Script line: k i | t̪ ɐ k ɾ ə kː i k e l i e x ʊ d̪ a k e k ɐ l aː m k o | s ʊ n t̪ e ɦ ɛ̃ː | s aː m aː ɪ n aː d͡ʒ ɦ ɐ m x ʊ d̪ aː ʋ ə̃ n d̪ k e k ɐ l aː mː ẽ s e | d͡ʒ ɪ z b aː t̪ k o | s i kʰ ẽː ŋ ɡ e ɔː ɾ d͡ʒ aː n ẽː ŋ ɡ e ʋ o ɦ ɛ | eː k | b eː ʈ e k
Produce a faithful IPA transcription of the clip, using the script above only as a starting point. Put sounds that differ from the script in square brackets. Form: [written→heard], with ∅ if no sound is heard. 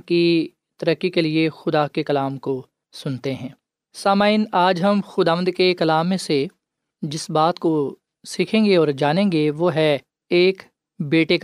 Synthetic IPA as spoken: k i | t̪ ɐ [k→∅] ɾ ə kː i k e l i e x ʊ d̪ a k e k ɐ l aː m k o | s ʊ n t̪ e ɦ ɛ̃ː | s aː m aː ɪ n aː d͡ʒ ɦ ɐ m x ʊ d̪ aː ʋ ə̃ n d̪ k e k ɐ l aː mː ẽ s e | d͡ʒ ɪ [z→s] b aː t̪ k o | s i kʰ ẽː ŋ ɡ e ɔː ɾ d͡ʒ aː n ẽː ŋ ɡ e ʋ o ɦ ɛ | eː k | b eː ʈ e k